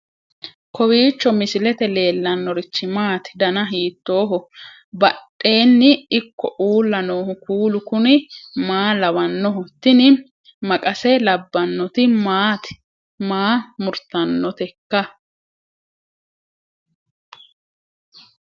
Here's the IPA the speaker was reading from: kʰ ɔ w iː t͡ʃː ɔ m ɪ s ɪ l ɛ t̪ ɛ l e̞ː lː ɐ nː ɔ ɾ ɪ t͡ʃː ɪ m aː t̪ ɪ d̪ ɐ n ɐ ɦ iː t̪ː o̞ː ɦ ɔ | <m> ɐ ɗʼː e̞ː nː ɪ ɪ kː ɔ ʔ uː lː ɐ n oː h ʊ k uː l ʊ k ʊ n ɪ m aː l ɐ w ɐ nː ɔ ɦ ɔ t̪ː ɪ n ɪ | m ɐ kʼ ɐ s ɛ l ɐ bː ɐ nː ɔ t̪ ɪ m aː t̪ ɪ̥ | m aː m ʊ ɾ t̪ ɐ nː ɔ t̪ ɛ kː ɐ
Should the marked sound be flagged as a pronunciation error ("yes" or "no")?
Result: yes